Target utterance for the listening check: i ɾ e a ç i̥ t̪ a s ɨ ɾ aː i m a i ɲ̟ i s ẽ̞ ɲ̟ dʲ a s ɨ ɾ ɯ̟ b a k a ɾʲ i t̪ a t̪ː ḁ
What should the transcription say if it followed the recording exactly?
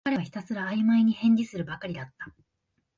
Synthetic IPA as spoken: a ɾ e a ç i̥ t̪ a s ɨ ɾ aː i m a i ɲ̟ i h ẽ̞ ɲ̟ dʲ i s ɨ ɾ ɯ̟ b a k a ɾʲ i d̪ a t̪ː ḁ